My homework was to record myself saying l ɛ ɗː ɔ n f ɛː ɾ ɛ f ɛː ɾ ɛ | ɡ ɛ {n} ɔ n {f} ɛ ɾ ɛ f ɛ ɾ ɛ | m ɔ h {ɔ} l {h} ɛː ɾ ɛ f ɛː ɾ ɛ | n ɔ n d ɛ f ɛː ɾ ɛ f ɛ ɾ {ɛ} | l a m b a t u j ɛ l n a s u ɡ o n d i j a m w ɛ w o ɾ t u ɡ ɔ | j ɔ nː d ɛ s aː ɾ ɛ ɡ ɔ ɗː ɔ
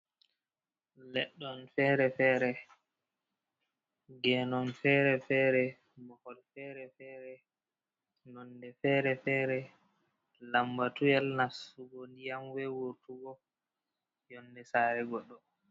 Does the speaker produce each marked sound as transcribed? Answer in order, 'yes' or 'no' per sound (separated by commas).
yes, yes, yes, no, yes